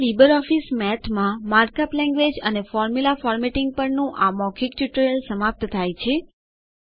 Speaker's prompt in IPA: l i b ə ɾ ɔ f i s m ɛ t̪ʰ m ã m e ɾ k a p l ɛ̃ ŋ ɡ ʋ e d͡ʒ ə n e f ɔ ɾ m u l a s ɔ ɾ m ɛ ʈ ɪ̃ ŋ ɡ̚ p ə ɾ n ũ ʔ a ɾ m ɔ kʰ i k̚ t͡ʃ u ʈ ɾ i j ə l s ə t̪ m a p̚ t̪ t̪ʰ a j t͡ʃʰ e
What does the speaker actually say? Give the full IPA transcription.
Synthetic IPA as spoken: l i b ə ɾ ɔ f i s m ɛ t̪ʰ m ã m a ɾ k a p l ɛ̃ ŋ ɡ ʋ e d͡ʒ ə n e f ɔ ɾ m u l a f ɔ ɾ m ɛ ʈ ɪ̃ ŋ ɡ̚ p ə ɾ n ũ ʔ a m ɔ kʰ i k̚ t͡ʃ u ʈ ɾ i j ə l s ə m a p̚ t̪ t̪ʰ a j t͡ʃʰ e